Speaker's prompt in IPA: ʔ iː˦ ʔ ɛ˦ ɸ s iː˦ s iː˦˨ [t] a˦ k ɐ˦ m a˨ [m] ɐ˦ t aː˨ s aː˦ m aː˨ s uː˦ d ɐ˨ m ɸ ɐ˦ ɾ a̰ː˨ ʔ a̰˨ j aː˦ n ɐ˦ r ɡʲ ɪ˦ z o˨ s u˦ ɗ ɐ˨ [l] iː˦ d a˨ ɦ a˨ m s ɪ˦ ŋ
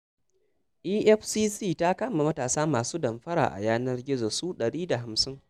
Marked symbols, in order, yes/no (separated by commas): yes, yes, no